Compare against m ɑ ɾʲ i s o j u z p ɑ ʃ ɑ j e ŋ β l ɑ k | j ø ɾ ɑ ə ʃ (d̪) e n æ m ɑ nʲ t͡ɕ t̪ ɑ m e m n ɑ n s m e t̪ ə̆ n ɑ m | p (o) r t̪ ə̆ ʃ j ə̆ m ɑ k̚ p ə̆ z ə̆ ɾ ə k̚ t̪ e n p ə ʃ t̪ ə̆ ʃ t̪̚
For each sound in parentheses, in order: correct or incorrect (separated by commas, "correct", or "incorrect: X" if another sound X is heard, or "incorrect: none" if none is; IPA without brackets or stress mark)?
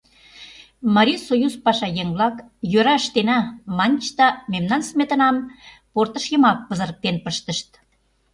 incorrect: t̪, correct